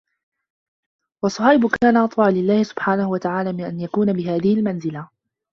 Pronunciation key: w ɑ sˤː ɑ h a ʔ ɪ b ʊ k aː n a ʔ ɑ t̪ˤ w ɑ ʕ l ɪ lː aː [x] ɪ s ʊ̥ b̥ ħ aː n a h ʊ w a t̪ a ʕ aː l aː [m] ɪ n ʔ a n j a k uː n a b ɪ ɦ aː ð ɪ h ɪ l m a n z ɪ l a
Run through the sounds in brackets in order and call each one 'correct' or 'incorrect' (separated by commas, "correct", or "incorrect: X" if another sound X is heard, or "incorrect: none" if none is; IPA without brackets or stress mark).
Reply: incorrect: h, correct